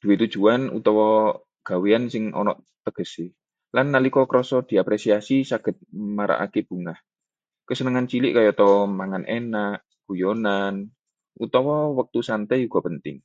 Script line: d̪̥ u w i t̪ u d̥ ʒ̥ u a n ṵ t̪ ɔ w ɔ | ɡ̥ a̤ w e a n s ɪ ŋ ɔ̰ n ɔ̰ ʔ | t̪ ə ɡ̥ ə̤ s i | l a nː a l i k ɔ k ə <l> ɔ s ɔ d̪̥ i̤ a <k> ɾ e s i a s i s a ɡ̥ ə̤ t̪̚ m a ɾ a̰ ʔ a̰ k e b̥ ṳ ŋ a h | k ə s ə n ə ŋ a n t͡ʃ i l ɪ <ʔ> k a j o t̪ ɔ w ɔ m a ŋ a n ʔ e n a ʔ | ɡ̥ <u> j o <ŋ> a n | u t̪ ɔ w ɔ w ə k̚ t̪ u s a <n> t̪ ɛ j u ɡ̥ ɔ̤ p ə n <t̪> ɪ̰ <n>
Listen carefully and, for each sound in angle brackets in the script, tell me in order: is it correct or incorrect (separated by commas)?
incorrect, incorrect, correct, correct, incorrect, correct, correct, incorrect